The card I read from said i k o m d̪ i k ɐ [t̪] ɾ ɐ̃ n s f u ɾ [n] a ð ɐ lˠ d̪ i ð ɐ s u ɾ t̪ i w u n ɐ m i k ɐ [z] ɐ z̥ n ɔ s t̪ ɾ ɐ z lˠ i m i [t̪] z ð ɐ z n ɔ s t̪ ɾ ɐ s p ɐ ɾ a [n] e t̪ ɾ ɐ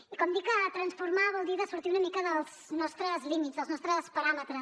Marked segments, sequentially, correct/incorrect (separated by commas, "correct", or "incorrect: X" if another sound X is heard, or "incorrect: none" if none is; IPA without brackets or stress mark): correct, incorrect: m, incorrect: ð, correct, incorrect: m